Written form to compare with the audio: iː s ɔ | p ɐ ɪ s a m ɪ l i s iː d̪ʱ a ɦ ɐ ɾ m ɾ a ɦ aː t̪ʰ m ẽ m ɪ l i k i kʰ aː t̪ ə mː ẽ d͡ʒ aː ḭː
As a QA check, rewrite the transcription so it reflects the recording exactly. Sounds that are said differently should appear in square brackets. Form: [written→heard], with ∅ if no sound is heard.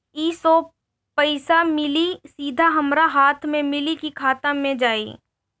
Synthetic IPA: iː s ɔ | p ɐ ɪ s a m ɪ l i s iː d̪ʱ a ɦ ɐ [ɾ→∅] m ɾ a ɦ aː t̪ʰ m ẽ m ɪ l i k i kʰ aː t̪ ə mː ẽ d͡ʒ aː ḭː